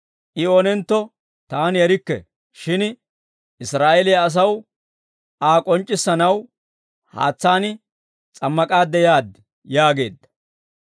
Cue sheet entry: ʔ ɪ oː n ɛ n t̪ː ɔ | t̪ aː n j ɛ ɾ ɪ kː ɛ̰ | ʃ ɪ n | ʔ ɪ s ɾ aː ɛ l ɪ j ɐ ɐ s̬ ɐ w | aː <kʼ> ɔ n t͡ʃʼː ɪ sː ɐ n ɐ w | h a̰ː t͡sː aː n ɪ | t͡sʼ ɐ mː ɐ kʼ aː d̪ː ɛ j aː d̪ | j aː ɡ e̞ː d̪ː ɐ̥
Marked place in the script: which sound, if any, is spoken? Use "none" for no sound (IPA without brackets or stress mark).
kʼ